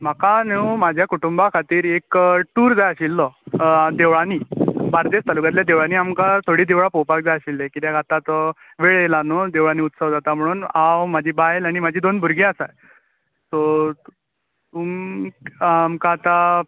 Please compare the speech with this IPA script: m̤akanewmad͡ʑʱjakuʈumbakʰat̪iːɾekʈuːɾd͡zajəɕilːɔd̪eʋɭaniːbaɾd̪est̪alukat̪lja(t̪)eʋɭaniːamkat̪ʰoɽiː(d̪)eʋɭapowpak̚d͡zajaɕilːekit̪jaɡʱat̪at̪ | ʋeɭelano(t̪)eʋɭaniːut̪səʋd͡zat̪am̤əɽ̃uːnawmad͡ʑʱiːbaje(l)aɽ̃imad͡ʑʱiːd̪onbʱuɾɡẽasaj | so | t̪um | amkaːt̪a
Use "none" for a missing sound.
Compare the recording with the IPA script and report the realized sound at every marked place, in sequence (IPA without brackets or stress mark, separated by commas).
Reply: d̪, d̪, d̪, l